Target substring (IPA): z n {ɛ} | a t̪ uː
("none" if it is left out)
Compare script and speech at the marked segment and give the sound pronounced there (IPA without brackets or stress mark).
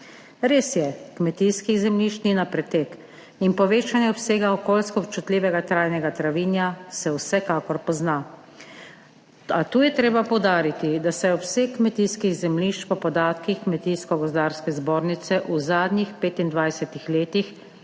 a